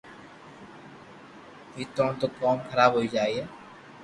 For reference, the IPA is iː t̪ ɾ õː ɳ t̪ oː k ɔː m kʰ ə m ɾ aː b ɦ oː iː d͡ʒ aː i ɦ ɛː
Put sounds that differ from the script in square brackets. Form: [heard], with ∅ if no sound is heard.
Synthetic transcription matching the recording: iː t̪ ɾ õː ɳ t̪ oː k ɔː m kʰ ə [∅] ɾ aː b ɦ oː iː d͡ʒ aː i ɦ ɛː